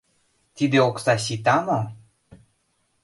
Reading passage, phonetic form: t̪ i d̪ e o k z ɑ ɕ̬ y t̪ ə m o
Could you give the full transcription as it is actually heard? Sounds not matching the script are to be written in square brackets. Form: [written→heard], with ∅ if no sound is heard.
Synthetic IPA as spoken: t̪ i d̪ e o k [z→s] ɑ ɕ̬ [y→i] t̪ [ə→ɑ] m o